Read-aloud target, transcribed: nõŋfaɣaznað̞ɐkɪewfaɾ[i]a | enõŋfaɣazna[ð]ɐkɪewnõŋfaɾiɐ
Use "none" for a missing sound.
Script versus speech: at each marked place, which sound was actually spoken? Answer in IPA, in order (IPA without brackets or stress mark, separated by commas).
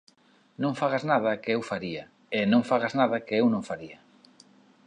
i, ð